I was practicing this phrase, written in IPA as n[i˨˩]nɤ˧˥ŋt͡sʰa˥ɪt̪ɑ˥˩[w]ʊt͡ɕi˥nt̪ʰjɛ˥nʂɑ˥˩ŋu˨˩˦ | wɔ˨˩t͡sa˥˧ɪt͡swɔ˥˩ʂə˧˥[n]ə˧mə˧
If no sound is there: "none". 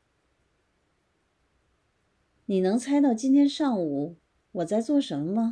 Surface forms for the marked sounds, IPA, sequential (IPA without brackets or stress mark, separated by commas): i˨˩, none, m